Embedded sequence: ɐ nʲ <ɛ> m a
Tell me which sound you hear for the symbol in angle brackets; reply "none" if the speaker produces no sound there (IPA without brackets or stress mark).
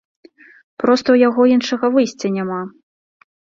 a